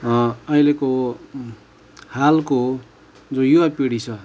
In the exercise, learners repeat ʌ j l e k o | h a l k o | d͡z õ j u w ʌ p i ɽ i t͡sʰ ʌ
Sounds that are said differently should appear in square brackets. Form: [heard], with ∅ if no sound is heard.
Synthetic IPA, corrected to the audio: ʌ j l e k o | h a l k o | d͡z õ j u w [a] p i ɽ i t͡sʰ ʌ